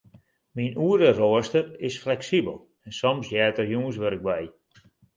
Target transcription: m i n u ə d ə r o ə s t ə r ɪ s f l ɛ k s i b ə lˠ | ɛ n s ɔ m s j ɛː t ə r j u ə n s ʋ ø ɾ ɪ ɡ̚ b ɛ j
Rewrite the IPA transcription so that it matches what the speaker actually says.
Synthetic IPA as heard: m i n u ə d ə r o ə s t ə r ɪ s f l ɛ k s i b ə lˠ | ɛ n s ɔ m s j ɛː t ə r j u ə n s ʋ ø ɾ ɪ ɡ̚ b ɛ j